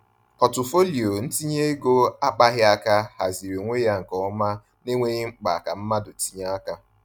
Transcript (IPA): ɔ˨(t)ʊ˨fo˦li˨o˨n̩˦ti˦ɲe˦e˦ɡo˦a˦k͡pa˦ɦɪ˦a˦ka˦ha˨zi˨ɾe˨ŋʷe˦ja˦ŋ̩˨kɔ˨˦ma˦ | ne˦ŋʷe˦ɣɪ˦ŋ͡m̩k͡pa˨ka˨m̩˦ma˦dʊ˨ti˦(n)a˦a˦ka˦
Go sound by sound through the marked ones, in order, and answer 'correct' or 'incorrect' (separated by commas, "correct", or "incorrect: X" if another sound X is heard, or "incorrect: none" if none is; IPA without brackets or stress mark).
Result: correct, incorrect: ɲ